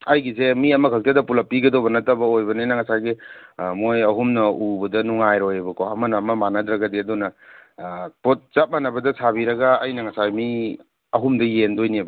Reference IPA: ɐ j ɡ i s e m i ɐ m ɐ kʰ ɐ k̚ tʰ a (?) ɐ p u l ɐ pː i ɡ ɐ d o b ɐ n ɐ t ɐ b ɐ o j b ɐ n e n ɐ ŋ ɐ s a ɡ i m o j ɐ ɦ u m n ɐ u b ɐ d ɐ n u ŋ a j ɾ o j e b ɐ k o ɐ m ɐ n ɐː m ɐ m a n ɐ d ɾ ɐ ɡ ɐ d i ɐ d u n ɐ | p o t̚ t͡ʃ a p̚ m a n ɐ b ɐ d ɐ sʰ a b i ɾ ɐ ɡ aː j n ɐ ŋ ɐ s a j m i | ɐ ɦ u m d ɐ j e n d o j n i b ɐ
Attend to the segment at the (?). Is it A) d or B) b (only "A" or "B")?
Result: A